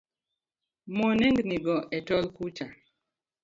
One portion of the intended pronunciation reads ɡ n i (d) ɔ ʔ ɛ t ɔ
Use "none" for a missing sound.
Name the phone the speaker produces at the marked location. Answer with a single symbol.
ɡ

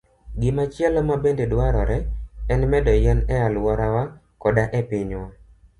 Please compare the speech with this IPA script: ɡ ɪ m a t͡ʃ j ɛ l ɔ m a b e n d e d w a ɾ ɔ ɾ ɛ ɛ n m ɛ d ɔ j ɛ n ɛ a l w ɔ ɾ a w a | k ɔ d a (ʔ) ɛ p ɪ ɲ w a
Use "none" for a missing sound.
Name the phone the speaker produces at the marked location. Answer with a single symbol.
ʔ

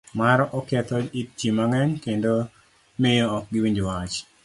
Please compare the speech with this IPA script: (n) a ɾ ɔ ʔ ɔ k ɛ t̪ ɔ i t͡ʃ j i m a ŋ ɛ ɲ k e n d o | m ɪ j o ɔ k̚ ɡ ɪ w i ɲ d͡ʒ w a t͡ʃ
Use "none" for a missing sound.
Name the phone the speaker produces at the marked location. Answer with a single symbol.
m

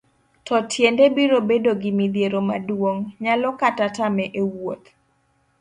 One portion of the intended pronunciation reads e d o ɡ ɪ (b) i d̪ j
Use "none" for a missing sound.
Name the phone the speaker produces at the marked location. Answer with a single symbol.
m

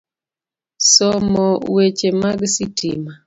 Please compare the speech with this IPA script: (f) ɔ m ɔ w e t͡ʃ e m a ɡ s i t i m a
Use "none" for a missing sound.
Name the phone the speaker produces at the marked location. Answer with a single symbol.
s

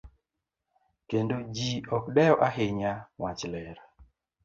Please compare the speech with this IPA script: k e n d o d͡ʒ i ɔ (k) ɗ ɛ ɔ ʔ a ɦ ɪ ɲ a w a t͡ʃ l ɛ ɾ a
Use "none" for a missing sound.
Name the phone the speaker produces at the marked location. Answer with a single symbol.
k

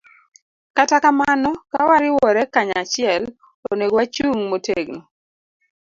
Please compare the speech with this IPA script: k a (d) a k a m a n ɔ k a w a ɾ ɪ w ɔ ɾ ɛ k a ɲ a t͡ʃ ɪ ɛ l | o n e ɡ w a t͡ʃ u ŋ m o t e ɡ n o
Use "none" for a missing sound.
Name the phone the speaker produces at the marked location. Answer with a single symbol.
t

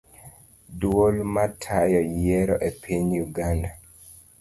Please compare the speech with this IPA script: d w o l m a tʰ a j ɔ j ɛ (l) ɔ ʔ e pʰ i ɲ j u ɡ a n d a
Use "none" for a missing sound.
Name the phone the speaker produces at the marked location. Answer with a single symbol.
ɾ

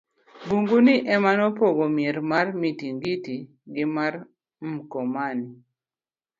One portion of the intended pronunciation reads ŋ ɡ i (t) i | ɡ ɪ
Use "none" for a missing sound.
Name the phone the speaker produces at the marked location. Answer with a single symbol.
t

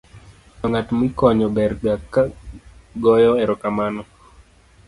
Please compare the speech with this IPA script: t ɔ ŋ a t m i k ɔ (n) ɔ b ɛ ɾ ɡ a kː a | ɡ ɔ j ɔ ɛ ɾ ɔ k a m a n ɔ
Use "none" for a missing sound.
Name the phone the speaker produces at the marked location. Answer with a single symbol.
ɲ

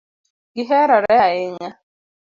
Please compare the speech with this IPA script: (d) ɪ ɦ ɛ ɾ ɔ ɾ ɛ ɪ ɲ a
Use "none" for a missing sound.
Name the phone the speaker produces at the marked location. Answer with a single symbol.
ɡ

